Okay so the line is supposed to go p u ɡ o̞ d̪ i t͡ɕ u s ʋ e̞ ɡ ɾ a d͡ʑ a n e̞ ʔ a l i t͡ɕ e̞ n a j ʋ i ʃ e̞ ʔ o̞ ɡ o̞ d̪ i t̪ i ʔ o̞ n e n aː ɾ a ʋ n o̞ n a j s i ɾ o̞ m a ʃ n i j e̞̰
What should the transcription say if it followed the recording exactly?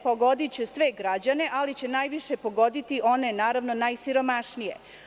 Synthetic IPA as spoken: p o ɡ o̞ d̪ i t͡ɕ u s ʋ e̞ ɡ ɾ a d͡ʑ a n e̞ ʔ a l i t͡ɕ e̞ n a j ʋ i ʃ e̞ p o̞ ɡ o̞ d̪ i t̪ i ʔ o̞ n e n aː ɾ a ʋ n o̞ n a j s i ɾ o̞ m a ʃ n i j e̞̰